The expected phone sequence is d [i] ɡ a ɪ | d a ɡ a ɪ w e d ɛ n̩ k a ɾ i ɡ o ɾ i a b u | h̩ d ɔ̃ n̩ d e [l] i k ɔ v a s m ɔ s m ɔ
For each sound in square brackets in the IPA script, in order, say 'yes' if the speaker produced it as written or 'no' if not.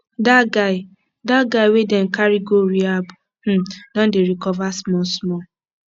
no, no

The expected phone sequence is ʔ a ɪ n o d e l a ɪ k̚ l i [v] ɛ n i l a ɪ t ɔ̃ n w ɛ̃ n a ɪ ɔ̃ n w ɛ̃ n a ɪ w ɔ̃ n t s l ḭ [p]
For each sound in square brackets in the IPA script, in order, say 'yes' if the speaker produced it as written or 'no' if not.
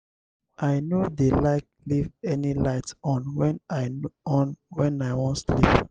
yes, yes

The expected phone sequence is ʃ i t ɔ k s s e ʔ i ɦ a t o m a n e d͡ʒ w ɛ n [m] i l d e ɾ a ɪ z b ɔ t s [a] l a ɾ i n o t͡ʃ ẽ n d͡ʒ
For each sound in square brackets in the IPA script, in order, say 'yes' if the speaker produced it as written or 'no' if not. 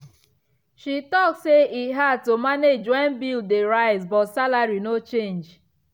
no, yes

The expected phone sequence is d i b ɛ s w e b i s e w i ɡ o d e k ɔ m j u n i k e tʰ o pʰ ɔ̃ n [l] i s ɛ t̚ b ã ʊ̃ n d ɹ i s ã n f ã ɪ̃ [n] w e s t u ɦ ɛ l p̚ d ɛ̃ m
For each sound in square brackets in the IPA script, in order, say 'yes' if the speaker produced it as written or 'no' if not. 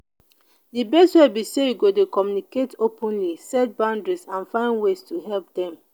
yes, yes

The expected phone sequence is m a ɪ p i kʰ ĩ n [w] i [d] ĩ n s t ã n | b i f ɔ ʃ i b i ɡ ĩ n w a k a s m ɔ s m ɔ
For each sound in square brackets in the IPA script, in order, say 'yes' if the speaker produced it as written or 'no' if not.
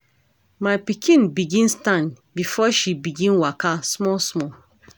no, no

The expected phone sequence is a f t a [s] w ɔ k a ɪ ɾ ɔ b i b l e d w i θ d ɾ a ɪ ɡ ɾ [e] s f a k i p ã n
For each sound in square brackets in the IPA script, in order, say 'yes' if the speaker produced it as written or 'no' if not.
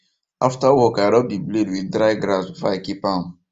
no, no

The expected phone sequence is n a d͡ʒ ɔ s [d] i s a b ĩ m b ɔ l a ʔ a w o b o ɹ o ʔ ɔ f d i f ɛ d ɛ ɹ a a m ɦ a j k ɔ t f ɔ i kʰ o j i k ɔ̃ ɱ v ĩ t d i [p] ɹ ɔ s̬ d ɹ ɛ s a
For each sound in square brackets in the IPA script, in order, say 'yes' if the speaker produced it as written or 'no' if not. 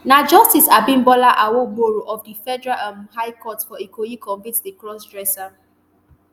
no, no

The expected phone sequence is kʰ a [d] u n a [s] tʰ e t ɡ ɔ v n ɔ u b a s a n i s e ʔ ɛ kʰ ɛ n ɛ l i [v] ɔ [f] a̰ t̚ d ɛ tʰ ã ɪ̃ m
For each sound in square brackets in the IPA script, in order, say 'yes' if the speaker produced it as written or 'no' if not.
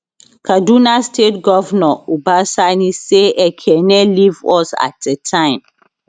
yes, yes, yes, no

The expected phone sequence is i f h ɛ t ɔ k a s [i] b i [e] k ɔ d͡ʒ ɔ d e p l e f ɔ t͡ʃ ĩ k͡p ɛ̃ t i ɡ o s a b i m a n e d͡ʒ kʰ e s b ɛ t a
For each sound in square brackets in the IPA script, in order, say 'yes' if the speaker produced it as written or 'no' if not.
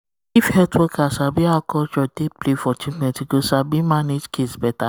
no, no

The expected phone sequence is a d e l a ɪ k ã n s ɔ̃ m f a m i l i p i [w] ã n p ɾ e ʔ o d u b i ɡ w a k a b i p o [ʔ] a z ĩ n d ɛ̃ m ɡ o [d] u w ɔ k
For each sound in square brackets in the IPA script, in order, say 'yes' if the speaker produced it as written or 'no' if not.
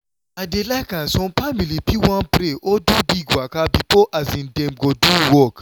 yes, yes, yes

